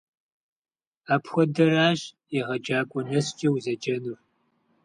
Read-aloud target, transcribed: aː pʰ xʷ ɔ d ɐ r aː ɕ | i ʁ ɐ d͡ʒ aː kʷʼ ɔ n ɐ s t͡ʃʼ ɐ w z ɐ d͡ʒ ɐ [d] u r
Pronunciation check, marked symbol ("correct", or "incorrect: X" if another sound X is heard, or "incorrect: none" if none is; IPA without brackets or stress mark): incorrect: n